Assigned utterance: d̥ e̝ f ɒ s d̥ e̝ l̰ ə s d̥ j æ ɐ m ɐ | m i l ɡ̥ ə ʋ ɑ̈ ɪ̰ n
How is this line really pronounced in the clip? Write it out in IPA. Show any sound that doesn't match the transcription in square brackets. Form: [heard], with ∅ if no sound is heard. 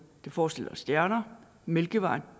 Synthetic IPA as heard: d̥ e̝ f [ɒː] s d̥ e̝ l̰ [ɐ] s d̥ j æ ɐ [n] ɐ | m [e] l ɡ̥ ə ʋ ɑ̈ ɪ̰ n